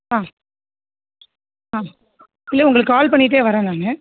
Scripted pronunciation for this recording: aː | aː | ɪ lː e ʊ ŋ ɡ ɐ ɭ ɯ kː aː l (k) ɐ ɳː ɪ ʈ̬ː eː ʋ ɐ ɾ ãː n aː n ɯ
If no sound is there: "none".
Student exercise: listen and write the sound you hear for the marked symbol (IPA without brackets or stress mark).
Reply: p